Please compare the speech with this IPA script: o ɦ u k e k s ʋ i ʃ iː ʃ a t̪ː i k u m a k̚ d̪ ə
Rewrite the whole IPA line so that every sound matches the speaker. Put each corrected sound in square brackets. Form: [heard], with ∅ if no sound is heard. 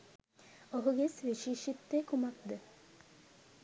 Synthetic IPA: o ɦ u [ɡ] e [∅] s ʋ i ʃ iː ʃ [i] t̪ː [e] k u m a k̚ d̪ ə